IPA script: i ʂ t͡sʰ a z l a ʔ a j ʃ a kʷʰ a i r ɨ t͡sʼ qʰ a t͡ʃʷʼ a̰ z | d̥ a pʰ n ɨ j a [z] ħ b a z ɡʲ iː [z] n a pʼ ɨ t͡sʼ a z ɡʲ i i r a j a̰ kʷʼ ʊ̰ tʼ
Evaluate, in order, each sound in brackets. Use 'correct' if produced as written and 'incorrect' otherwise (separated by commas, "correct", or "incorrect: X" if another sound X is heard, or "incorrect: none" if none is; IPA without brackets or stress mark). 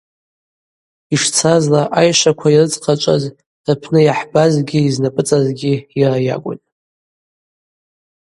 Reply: incorrect: none, correct